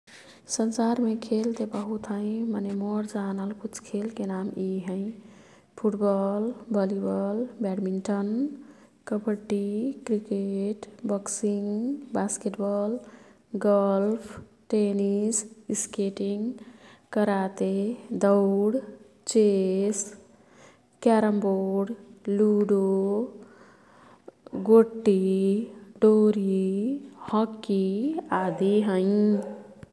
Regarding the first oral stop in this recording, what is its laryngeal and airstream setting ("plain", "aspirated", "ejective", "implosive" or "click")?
aspirated